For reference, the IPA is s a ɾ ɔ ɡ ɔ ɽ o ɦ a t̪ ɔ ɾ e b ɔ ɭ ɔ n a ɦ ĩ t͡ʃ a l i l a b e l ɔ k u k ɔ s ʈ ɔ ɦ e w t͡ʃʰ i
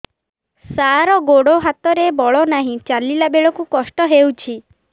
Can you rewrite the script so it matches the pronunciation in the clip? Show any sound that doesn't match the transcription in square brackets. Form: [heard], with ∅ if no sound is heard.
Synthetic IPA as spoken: s a ɾ ɔ ɡ [o] ɽ o ɦ a t̪ ɔ ɾ e b ɔ ɭ ɔ n a ɦ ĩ t͡ʃ a l i l a b e [ɭ] ɔ k u k ɔ s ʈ ɔ ɦ e w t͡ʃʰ i